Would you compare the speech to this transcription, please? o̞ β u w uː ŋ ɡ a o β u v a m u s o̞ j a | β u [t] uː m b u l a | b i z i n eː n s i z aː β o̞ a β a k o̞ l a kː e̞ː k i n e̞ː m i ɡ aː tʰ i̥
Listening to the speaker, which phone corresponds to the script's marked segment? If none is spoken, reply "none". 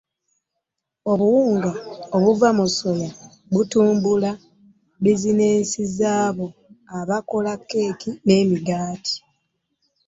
t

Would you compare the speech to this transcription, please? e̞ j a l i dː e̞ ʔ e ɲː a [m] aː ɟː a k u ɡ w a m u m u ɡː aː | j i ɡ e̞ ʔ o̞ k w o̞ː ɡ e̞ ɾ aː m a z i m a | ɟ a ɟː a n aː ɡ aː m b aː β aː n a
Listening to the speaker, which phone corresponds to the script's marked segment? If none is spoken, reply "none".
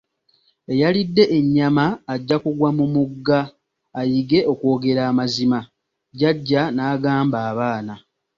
m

